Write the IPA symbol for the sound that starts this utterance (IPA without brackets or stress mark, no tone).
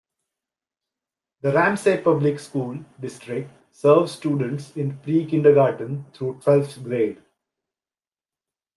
d̪